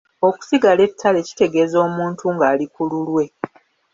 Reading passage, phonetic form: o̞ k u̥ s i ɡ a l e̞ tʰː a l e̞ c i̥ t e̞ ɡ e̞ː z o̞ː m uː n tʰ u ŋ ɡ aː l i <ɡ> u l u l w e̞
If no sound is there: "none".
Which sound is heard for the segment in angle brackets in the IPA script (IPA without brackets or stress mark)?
k